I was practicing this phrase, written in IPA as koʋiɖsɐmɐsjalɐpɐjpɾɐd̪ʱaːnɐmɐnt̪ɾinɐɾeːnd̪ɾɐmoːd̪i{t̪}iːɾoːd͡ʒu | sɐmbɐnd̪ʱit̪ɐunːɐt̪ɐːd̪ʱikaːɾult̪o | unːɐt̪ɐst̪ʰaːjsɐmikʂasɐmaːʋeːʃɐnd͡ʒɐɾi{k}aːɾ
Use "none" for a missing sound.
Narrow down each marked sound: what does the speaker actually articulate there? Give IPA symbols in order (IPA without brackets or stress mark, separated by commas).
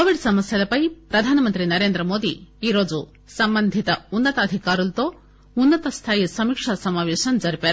none, p